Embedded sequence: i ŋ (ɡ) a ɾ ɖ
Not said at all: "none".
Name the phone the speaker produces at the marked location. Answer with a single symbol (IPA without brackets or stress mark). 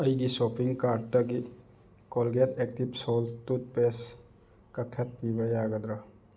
k